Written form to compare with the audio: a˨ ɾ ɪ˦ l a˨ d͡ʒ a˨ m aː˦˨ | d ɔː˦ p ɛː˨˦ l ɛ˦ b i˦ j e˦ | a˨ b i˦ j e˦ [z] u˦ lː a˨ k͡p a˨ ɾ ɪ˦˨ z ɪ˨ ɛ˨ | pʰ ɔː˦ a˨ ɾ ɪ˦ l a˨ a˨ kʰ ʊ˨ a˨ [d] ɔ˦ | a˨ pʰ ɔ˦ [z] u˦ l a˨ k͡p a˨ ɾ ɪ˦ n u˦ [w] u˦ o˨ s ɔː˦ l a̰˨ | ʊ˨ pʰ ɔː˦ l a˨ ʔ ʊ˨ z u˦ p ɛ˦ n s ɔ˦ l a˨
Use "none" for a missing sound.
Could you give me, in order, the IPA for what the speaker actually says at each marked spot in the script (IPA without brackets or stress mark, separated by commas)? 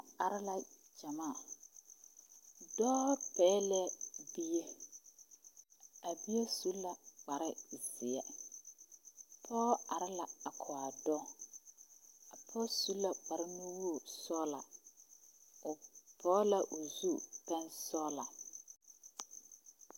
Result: s, d, s, w